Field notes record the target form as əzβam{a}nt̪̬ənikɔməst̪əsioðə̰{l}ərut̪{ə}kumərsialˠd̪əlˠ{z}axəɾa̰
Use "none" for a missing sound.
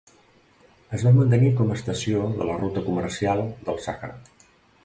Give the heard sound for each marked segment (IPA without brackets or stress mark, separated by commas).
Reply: ə, l, ə, s